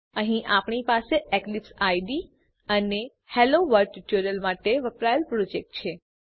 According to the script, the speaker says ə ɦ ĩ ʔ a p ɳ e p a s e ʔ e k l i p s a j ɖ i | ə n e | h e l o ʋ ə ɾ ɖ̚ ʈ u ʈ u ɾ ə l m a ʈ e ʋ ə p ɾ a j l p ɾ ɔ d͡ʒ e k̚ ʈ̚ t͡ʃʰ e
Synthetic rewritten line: ə ɦ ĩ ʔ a p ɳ i p a s e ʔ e k l i p s a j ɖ i | ə n e | h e l o ʋ ə ɾ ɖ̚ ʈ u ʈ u ɾ ə l m a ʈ e ʋ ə p ɾ a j l p ɾ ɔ d͡ʒ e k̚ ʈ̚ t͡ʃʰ e